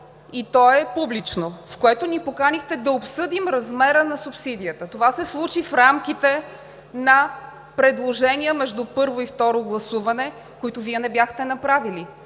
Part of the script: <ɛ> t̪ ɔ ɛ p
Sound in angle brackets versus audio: incorrect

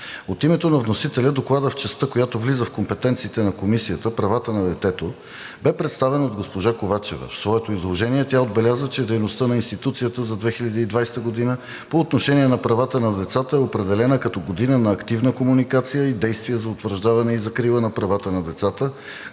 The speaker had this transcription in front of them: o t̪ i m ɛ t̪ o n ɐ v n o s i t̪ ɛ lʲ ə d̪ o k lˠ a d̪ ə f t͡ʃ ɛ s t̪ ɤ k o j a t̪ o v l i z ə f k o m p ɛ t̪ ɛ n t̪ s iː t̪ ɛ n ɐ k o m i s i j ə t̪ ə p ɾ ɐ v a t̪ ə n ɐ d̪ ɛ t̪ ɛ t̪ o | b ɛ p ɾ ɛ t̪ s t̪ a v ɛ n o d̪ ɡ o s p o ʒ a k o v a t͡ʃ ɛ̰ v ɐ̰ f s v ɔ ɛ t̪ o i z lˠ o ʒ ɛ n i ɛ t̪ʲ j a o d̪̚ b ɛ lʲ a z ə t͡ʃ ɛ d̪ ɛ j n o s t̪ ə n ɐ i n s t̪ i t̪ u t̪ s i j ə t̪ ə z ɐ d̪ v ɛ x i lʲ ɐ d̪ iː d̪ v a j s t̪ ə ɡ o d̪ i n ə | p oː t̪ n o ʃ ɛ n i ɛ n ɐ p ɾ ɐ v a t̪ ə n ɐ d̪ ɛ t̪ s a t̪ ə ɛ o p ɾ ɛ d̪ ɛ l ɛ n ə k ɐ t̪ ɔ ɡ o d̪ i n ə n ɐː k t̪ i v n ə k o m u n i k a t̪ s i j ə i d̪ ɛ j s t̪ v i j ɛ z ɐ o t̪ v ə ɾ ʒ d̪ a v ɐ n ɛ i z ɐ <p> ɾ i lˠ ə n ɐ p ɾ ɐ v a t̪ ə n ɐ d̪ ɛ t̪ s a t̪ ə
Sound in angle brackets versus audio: incorrect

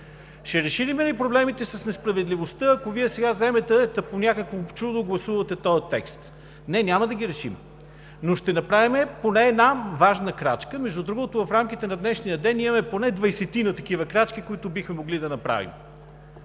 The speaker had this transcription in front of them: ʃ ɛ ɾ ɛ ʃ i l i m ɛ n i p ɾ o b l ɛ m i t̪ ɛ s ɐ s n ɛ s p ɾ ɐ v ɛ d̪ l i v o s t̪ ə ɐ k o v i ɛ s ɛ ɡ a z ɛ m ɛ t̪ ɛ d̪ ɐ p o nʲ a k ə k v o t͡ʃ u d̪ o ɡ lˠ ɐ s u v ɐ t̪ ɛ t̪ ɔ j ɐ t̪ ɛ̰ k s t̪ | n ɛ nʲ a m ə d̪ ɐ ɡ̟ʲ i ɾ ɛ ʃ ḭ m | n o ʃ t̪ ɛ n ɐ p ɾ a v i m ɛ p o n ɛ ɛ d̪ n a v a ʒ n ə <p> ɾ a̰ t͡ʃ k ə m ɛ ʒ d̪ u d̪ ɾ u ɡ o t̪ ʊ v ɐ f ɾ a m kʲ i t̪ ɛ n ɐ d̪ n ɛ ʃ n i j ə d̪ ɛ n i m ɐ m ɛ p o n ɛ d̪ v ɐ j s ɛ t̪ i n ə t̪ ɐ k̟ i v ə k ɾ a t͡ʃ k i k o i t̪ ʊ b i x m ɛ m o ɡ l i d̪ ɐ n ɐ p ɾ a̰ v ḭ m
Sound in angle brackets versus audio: incorrect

